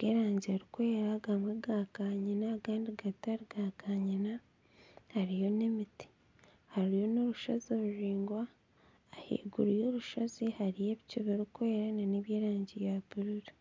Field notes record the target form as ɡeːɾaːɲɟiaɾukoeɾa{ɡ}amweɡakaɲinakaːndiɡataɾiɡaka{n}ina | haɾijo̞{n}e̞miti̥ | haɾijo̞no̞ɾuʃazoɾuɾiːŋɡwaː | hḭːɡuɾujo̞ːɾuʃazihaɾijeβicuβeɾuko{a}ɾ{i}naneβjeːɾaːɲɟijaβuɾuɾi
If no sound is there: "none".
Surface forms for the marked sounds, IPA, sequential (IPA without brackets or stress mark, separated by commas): ɡ, ɲ, n, e, a